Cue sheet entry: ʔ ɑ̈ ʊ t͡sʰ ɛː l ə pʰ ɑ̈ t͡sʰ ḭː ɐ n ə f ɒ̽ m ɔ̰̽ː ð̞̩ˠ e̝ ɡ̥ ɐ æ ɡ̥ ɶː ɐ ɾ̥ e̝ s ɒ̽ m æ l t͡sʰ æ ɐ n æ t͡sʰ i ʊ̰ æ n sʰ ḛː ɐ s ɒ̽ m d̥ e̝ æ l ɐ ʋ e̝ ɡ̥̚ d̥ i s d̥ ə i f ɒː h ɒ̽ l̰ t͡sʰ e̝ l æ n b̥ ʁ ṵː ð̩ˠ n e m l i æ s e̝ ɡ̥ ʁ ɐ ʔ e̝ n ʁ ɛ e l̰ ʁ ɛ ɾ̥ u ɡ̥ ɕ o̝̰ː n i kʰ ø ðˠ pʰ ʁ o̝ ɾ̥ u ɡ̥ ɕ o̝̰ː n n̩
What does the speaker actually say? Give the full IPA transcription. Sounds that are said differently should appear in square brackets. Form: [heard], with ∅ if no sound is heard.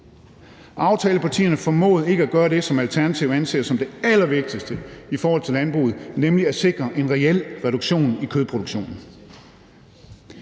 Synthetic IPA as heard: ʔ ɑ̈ ʊ t͡sʰ ɛː l ə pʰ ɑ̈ t͡sʰ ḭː ɐ n ə f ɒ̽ m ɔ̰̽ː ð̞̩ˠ e̝ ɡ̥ [ə] æ ɡ̥ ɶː ɐ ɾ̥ e̝ s ɒ̽ m æ l t͡sʰ æ ɐ n æ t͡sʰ i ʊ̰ æ n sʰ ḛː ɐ s ɒ̽ m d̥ e̝ æ l ɐ ʋ e̝ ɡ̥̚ d̥ i s d̥ ə i f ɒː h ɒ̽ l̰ t͡sʰ e̝ l æ n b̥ ʁ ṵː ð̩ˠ n e m l i æ s e̝ ɡ̥ ʁ ɐ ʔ e̝ n ʁ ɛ e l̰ ʁ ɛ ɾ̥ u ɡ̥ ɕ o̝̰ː n i kʰ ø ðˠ pʰ ʁ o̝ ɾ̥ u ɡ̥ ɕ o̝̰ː n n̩